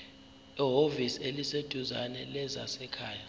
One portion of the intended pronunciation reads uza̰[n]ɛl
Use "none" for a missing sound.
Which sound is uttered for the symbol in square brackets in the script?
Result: n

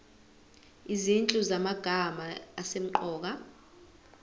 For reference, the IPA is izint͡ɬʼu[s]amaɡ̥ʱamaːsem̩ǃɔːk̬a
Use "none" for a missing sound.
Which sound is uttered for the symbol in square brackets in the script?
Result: z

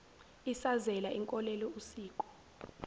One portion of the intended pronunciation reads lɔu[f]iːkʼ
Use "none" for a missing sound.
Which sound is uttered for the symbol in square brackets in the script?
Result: s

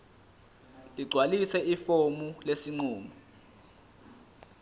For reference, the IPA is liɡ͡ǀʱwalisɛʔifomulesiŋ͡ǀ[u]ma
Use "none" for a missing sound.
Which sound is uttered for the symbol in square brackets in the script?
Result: uː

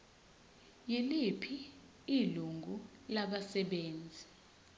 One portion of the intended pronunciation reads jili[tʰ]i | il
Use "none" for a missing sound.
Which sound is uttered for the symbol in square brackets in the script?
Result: pʰ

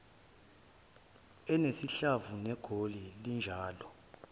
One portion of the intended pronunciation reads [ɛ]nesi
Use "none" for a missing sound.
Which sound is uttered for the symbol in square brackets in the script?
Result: ɛ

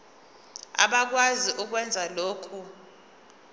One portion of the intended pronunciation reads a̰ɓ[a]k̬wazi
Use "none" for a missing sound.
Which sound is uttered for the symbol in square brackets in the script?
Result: a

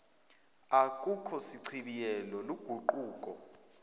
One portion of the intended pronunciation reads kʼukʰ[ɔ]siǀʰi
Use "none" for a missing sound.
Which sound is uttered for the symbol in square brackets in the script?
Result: ɔ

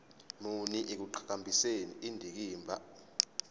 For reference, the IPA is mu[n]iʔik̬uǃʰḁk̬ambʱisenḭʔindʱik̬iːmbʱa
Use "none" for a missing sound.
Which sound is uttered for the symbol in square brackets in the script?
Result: n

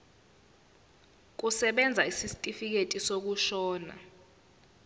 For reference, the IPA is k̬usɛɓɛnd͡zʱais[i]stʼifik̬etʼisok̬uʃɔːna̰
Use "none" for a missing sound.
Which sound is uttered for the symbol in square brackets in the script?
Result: i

